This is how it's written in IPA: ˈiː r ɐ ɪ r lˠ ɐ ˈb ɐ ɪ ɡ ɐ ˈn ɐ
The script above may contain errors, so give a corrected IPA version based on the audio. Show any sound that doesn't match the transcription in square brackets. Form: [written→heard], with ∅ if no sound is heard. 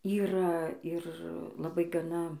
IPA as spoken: ˈiː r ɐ ɪ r lˠ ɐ ˈb ɐ ɪ ɡ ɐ ˈn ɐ